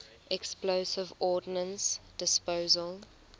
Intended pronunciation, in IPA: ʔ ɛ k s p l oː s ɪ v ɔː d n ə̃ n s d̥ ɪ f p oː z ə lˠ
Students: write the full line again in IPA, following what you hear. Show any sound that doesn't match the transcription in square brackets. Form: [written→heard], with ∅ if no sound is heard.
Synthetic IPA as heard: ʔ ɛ k s p l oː s ɪ v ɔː d n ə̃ n s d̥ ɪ [f→s] p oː z ə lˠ

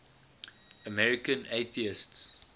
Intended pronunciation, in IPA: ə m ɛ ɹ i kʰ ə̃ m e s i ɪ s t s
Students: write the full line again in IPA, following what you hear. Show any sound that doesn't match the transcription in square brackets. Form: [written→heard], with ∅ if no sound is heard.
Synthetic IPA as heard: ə m ɛ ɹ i [kʰ→k] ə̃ [m→n] e [s→θ] i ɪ s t s

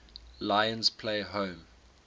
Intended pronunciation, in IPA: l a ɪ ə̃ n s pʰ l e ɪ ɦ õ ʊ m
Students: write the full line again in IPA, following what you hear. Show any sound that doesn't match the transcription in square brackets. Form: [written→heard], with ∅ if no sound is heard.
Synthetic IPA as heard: l a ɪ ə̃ n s pʰ l e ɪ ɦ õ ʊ m

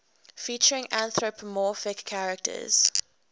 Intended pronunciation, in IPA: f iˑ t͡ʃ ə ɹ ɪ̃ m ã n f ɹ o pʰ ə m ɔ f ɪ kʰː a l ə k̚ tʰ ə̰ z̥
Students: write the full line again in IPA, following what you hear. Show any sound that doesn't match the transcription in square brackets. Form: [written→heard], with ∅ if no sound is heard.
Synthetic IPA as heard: f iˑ t͡ʃ ə ɹ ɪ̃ [m→ŋ] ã n [f→θ] ɹ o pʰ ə m ɔ f ɪ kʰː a [l→ɹ] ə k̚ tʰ ə̰ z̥

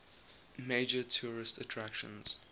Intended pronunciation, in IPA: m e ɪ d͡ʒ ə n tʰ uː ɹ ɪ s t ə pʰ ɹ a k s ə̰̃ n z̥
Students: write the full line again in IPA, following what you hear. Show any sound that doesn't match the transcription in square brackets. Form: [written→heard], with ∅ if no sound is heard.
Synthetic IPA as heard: m e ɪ d͡ʒ ə [n→∅] tʰ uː ɹ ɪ s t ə [pʰ→tʰ] ɹ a k [s→ʃ] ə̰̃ n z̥

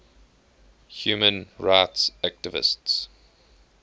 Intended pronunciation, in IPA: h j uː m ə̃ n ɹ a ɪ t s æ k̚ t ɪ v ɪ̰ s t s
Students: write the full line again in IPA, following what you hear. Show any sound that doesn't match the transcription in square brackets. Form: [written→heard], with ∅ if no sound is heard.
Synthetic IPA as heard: h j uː m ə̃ n ɹ a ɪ t s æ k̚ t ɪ v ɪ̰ s t s

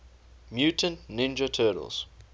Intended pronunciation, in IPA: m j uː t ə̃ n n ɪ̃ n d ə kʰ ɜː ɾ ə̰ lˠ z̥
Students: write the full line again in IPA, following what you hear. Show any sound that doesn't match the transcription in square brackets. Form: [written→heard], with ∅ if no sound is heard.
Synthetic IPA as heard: m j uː t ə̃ n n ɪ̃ n [d→d͡ʒ] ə [kʰ→tʰ] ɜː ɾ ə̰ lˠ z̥

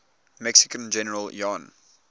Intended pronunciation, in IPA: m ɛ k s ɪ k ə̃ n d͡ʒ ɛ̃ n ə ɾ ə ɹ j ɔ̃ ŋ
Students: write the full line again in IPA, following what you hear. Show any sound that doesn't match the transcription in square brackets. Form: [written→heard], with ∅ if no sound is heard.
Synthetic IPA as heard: m ɛ k s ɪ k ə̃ n d͡ʒ [ɛ̃→ɛ] n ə [ɾ→ɹ] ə [ɹ→l] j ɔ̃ [ŋ→n]

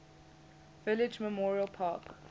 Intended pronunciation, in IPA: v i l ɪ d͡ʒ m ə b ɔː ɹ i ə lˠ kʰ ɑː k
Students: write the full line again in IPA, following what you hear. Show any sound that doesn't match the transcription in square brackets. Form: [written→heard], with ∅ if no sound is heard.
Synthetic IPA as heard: v [i→ɪ] l ɪ d͡ʒ m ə [b→m] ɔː ɹ i ə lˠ [kʰ→pʰ] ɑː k

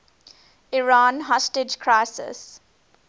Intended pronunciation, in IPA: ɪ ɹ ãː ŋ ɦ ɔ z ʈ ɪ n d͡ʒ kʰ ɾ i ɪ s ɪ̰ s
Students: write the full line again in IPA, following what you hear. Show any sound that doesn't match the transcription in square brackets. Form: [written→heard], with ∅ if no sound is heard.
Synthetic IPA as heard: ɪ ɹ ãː [ŋ→n] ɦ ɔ [z→s] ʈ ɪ [n→∅] d͡ʒ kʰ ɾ [i→a] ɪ s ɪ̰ s

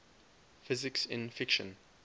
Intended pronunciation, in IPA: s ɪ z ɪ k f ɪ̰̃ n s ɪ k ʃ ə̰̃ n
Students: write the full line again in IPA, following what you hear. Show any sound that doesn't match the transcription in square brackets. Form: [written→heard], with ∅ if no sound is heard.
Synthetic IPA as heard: [s→f] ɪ z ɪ k [f→s] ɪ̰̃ n [s→f] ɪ k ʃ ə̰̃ n

